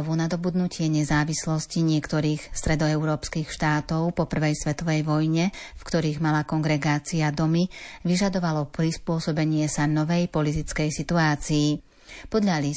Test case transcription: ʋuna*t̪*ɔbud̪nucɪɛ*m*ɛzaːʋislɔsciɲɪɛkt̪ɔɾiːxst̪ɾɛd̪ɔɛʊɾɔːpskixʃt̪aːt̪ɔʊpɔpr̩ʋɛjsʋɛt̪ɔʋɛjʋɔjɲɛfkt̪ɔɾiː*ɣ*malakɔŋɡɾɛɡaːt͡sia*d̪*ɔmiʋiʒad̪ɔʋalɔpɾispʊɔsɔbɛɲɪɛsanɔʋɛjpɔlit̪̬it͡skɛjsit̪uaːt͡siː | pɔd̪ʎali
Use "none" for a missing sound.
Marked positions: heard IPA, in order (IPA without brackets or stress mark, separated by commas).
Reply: d̪, ɲ, ɣ, d̪